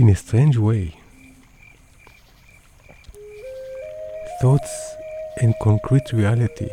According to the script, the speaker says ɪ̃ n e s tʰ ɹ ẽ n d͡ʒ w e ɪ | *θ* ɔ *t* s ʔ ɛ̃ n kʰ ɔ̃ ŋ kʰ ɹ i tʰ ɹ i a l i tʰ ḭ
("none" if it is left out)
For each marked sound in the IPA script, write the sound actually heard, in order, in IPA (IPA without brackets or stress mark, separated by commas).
θ, t